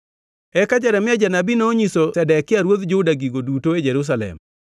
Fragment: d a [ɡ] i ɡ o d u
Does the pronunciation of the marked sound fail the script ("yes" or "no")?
no